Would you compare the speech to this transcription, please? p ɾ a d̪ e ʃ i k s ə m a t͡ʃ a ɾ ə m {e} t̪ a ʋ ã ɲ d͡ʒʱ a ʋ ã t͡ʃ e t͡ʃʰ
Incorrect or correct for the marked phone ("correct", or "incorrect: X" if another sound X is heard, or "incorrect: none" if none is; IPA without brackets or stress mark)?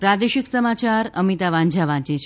incorrect: i